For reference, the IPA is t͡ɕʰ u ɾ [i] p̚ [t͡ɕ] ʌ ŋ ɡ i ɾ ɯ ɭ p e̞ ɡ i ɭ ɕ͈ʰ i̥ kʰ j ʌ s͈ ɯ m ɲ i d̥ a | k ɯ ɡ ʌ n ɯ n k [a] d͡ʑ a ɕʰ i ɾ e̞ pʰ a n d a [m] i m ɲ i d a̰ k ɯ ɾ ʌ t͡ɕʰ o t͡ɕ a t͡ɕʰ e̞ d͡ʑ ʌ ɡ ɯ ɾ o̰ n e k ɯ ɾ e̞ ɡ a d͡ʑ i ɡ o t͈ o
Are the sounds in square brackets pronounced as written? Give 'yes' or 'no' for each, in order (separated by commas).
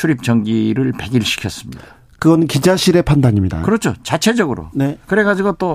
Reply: yes, yes, no, no